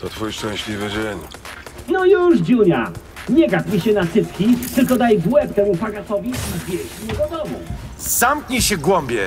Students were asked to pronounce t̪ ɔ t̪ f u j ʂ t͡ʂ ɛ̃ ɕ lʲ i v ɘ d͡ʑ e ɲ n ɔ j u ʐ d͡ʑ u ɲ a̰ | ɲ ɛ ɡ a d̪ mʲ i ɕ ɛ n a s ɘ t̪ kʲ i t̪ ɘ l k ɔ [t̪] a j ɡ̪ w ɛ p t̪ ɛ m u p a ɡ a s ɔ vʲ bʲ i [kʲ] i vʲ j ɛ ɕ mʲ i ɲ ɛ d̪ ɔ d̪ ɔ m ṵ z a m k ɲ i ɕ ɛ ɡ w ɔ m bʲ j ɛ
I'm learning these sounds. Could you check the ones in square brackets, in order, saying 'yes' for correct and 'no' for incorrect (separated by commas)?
no, no